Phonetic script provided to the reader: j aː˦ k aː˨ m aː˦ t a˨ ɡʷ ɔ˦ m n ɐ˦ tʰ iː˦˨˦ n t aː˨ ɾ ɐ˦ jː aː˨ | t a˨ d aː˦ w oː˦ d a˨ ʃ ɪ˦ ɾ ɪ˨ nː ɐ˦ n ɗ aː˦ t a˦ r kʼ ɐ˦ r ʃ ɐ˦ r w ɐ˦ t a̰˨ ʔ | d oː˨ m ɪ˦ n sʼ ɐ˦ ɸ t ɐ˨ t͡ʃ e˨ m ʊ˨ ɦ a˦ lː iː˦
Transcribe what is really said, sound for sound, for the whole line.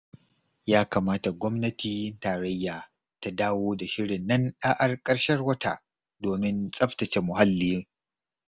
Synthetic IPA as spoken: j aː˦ k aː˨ m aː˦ t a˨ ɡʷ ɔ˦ m n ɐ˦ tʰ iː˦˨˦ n t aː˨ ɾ ɐ˦ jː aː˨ | t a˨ d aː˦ w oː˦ d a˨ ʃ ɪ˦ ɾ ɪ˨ nː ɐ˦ n ɗ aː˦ ʔ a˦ r kʼ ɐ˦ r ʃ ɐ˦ r w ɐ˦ t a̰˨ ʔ | d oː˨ m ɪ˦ n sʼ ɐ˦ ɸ t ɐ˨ t͡ʃ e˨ m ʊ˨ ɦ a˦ lː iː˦

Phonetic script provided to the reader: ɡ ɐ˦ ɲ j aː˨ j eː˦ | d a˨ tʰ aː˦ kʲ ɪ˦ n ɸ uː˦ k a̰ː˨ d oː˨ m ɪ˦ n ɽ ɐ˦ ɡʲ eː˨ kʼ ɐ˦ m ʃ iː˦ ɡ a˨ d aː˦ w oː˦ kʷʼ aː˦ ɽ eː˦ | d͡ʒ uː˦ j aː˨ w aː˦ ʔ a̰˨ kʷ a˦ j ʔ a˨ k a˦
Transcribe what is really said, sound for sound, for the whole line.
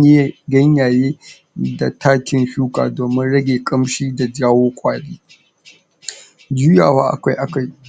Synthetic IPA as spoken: ɡ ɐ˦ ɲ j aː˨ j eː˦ | d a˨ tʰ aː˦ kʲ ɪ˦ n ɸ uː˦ k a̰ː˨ d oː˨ m ɪ˦ n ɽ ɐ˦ ɡʲ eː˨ kʼ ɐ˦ m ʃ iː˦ d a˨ d͡ʒ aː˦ w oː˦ kʷʼ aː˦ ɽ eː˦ | d͡ʒ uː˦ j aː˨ w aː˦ ʔ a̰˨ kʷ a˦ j ʔ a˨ k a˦

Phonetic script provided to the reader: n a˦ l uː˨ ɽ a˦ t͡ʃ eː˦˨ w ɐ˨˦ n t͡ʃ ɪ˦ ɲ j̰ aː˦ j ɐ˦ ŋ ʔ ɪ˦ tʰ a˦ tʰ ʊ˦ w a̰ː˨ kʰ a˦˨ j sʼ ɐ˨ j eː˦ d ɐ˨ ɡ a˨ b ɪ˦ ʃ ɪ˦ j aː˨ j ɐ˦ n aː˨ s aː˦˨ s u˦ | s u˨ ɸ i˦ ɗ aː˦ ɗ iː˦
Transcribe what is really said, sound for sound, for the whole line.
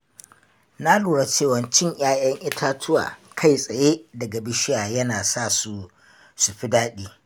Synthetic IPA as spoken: n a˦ l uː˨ ɽ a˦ t͡ʃ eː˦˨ w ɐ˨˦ n t͡ʃ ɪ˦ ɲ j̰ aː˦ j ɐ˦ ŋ ʔ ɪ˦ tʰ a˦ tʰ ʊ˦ w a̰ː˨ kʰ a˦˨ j sʼ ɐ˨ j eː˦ d ɐ˨ ɡ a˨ b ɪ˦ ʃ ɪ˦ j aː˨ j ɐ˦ n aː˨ s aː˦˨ s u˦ | s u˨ ɸ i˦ d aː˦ ɗ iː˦

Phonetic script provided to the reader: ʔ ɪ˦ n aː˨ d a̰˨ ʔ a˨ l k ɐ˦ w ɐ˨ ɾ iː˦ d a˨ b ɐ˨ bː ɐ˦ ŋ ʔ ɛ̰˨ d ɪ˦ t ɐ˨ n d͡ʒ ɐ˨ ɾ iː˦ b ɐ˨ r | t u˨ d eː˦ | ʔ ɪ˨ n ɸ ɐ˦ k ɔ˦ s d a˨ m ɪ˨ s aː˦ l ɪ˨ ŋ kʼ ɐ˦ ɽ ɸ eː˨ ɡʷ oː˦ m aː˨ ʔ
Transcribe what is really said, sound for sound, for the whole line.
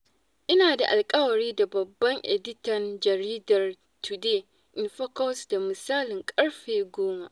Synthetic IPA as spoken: ʔ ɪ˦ n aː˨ d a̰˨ ʔ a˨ l kʼ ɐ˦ w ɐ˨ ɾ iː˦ d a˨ b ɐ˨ bː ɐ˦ ŋ ʔ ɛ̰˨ d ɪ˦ t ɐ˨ n d͡ʒ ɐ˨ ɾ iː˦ d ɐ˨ r | t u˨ d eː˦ | ʔ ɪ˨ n ɸ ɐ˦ k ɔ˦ s d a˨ m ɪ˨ s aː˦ l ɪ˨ ŋ kʼ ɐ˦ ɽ ɸ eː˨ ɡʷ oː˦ m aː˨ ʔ

